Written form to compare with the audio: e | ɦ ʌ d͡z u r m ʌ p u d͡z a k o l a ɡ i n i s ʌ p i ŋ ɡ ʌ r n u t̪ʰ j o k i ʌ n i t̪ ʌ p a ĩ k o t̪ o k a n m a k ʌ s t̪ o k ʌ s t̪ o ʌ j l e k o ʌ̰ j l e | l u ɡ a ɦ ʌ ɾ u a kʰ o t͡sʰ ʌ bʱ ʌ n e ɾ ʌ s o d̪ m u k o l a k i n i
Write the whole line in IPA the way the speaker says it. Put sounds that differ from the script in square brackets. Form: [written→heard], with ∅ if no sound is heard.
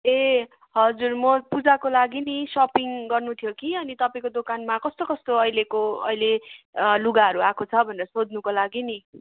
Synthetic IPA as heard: e | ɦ ʌ d͡z u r m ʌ p u d͡z a k o l a ɡ i n i s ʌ p i ŋ ɡ ʌ r n u t̪ʰ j o k i ʌ n i t̪ ʌ p a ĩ k o [t̪→d̪] o k a n m a k ʌ s t̪ o k ʌ s t̪ o ʌ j l e k o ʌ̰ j l e | l u ɡ a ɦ ʌ ɾ u a kʰ o t͡sʰ ʌ bʱ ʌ n e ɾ ʌ s o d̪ [m→n] u k o l a [k→ɡ] i n i